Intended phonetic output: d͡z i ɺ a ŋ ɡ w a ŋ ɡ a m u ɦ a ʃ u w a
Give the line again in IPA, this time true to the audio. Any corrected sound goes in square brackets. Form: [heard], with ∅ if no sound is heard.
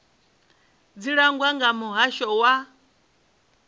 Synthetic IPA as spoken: d͡z i ɺ a ŋ ɡ w a ŋ ɡ a m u ɦ a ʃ [ɔ] w a

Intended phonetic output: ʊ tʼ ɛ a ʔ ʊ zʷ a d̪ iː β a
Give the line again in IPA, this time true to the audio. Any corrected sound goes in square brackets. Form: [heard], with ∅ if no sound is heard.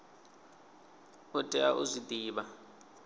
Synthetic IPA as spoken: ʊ tʼ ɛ a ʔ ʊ zʷ [i] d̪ iː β a

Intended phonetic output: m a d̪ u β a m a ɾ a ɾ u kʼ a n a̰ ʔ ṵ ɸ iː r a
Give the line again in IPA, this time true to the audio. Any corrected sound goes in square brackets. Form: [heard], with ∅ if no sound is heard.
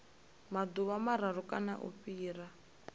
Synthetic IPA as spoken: m a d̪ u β a m a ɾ a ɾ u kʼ a n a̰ ʔ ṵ ɸ iː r a

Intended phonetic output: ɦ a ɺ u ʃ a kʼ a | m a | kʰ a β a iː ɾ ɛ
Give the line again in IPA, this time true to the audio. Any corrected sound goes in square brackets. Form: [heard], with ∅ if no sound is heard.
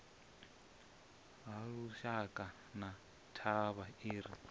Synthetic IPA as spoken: ɦ a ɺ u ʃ a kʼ a | [n] a | [tʰ] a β a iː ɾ [i]

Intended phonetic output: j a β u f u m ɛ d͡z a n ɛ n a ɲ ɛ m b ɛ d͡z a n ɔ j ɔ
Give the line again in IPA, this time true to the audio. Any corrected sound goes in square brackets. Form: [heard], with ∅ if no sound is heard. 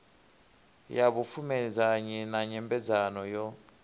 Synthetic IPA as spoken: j a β u f u m ɛ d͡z a [ɲ] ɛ n a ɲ ɛ m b ɛ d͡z a n ɔ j ɔ

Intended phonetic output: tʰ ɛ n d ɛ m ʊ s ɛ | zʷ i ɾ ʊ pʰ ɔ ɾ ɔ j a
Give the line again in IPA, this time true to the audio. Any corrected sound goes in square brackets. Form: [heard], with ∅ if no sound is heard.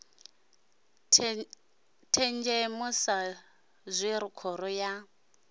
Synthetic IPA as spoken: tʰ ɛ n [d͡ʒ] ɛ m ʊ s [a] | zʷ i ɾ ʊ [kʰ] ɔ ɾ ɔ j a

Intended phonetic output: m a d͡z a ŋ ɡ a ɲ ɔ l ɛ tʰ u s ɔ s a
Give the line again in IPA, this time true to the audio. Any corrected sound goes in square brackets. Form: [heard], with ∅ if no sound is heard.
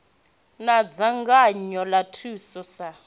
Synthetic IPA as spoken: [n] a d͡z a ŋ ɡ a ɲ ɔ l [a] tʰ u s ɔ s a

